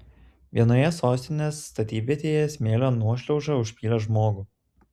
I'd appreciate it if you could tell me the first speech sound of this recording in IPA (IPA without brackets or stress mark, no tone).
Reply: ʋʲ